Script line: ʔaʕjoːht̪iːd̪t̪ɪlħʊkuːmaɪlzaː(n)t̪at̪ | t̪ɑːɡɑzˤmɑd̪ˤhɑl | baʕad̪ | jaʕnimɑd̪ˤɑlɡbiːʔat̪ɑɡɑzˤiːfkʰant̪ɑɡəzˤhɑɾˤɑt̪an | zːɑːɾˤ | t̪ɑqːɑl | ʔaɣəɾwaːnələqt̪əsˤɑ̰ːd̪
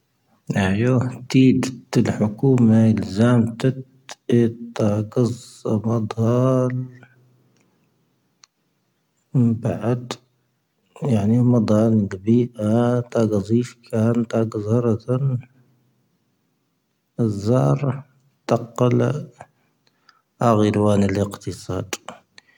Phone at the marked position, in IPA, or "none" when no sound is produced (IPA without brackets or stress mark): m